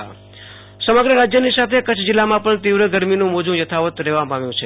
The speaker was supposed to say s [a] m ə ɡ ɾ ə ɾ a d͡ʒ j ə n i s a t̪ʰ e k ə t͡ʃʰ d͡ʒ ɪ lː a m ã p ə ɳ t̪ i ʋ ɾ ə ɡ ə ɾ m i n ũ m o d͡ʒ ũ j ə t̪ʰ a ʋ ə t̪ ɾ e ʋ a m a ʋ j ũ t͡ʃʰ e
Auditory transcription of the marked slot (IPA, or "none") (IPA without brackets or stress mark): ə